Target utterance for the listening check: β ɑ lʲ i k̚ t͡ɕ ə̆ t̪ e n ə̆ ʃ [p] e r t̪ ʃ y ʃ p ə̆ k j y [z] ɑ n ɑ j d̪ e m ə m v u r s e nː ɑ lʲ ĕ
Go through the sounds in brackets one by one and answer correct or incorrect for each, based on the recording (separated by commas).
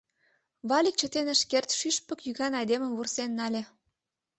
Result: incorrect, incorrect